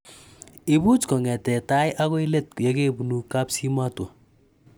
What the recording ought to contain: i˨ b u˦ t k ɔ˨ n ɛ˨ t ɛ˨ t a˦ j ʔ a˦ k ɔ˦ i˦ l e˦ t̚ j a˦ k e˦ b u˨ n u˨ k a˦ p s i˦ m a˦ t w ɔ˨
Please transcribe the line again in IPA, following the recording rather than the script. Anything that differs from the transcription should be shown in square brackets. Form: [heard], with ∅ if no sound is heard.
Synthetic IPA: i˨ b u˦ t k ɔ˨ [ŋ] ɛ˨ t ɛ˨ t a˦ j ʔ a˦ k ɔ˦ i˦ l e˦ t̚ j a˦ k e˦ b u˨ n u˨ k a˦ p s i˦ m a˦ t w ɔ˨